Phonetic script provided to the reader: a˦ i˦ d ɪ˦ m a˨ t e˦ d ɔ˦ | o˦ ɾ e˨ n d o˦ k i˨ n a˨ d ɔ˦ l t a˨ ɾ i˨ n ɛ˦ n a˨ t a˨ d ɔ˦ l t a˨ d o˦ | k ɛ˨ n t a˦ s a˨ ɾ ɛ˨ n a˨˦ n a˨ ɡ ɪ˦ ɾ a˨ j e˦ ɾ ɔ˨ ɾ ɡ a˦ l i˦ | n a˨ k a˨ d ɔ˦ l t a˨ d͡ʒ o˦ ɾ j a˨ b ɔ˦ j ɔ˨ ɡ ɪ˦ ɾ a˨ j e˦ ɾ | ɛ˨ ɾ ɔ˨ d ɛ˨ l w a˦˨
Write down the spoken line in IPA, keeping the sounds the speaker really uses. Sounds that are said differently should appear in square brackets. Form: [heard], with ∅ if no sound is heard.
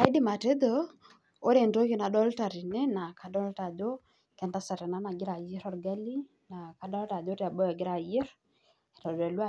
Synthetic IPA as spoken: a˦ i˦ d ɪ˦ m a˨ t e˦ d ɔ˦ | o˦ ɾ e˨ n d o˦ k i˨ n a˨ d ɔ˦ l t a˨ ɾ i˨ n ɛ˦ n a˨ [k] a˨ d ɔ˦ l t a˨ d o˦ | k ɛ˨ n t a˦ s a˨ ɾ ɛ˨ n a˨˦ n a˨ ɡ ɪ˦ ɾ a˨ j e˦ ɾ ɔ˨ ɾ ɡ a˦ l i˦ | n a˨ k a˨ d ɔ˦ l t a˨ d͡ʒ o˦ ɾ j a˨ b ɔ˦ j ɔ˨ ɡ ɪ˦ ɾ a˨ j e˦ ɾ | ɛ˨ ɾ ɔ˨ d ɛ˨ l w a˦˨